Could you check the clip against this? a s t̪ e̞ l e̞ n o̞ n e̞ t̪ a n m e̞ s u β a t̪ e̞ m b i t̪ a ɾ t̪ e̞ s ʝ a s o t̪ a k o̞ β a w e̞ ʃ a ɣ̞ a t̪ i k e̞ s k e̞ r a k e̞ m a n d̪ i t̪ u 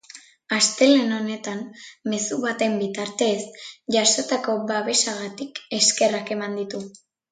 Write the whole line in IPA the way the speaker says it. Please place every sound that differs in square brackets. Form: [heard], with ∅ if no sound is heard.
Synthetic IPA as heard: a s t̪ e̞ l e̞ n o̞ n e̞ t̪ a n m e̞ s u β a t̪ e̞ m b i t̪ a ɾ t̪ e̞ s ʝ a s o t̪ a k o̞ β a [β] e̞ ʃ a ɣ̞ a t̪ i k e̞ s k e̞ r a k e̞ m a n d̪ i t̪ u